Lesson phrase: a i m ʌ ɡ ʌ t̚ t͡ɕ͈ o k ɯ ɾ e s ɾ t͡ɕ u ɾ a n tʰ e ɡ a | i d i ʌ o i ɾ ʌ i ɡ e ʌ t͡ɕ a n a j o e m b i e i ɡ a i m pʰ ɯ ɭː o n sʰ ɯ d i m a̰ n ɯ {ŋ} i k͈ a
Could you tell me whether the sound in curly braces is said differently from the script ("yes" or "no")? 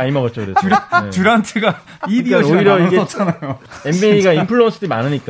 yes